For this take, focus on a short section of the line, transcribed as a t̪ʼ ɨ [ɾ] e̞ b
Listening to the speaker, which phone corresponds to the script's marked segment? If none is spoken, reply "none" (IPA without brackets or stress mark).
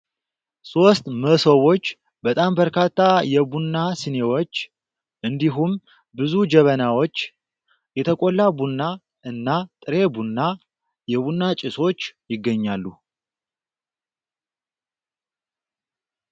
ɾ